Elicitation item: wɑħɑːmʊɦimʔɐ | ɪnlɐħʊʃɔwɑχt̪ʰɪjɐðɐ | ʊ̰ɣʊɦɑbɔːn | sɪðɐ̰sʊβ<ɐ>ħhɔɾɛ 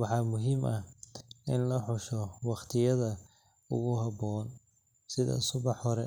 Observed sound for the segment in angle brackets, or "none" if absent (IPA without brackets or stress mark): ɑ